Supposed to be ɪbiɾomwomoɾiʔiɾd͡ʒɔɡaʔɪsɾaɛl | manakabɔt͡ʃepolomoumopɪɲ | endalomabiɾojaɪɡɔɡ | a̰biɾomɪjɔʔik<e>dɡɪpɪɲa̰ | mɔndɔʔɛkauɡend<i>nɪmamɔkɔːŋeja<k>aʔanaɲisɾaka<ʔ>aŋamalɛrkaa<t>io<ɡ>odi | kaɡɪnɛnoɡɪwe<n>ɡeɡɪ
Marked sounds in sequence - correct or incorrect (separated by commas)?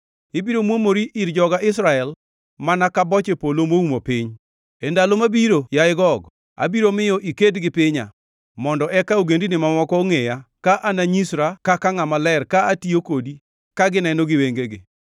correct, correct, correct, incorrect, correct, incorrect, incorrect